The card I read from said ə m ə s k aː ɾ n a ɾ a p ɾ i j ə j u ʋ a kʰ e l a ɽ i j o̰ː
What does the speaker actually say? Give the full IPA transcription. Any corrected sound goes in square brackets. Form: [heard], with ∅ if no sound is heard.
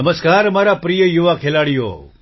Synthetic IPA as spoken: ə m ə s k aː ɾ [m] a ɾ a p ɾ i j ə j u ʋ a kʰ e l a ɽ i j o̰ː

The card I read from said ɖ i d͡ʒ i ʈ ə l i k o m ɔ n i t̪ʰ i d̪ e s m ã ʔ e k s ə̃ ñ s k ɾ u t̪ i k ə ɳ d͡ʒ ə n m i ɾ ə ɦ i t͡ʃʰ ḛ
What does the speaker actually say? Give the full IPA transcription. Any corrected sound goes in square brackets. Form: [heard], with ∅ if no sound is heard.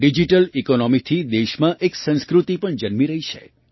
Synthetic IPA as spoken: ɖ i d͡ʒ i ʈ ə l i k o [n] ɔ [m] i t̪ʰ i d̪ e [ʃ] m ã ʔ e k s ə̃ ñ s k ɾ u t̪ i [p] ə ɳ d͡ʒ ə n m i ɾ ə ɦ i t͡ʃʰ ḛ

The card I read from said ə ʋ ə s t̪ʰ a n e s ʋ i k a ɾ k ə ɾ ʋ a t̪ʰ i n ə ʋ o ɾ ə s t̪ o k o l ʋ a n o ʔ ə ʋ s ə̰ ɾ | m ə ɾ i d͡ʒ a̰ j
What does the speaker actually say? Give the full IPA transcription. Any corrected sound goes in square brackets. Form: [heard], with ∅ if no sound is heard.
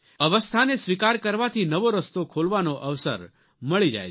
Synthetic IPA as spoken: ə ʋ ə s t̪ʰ a n e s ʋ i k a ɾ k ə ɾ ʋ a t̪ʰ i n ə ʋ o ɾ ə s t̪ o [kʰ] o l ʋ a n o ʔ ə ʋ s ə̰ ɾ | m ə [ɭ] i d͡ʒ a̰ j

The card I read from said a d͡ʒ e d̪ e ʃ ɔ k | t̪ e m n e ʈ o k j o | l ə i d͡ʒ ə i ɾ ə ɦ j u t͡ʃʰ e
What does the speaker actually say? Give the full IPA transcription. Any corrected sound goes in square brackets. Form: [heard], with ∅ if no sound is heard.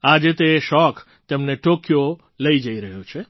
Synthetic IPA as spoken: a d͡ʒ e [t̪] e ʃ ɔ k | t̪ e m n e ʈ o k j o | l ə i d͡ʒ ə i ɾ ə ɦ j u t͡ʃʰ e

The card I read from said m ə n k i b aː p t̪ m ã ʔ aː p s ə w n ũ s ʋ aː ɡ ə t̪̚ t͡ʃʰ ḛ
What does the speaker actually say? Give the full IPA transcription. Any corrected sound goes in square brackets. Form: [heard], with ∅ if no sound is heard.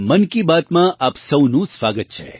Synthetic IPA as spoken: m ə n k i b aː [∅] t̪ m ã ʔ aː p s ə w n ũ s ʋ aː ɡ ə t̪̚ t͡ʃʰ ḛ

